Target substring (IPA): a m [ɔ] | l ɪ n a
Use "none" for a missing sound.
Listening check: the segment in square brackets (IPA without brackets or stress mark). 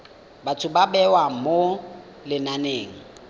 o